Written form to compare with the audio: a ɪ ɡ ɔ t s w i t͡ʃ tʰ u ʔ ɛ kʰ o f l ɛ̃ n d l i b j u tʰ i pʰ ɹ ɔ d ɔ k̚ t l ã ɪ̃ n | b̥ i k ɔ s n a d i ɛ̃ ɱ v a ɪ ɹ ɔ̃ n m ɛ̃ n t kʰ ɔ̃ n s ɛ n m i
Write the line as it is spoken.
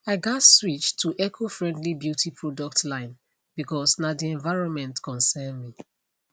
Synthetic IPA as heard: a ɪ ɡ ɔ t s w i t͡ʃ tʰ u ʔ ɛ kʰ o f ɹ ɛ̃ n d l i b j u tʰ i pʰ ɹ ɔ d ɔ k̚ t l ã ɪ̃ n | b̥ i k ɔ s n a d i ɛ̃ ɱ v a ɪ ɹ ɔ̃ n m ɛ̃ n t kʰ ɔ̃ n s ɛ n m i